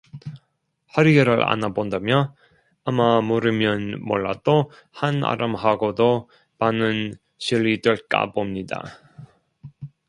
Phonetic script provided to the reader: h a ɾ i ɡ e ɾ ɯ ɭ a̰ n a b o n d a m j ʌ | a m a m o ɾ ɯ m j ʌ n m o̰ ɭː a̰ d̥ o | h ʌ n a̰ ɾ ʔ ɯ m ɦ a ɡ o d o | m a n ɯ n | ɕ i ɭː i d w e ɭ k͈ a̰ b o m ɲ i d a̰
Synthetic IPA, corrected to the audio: h a ɾ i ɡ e ɾ ɯ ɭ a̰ n a b o n d a m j ʌ | a m a m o ɾ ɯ m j ʌ n m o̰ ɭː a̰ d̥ o | h a n a̰ ɾ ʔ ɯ m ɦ a ɡ o d o | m a n ɯ n | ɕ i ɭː i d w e ɭ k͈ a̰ b o m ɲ i d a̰